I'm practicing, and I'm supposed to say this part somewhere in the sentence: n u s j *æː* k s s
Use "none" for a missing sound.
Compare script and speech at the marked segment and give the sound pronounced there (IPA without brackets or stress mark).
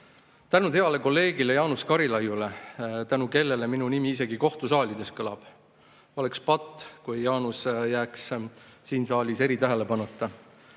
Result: æː